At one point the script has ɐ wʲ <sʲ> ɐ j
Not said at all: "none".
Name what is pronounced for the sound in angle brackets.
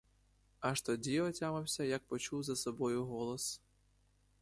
sʲ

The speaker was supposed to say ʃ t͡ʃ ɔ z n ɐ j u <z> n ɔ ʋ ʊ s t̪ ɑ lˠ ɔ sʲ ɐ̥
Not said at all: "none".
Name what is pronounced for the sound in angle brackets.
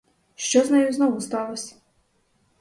z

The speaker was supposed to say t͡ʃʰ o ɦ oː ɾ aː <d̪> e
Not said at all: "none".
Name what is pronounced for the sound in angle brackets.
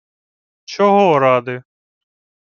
d̪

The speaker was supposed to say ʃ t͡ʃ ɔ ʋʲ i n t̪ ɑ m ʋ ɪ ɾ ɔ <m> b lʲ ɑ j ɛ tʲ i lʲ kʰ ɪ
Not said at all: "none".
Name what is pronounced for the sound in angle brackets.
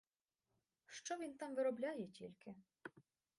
none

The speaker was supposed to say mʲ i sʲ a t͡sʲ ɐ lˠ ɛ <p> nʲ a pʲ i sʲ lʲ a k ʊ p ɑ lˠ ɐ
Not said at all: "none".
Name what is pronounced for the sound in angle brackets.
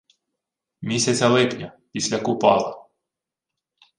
p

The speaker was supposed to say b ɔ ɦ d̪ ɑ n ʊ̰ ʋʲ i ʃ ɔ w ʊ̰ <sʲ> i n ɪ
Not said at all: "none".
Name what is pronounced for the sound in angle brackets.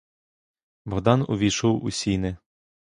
sʲ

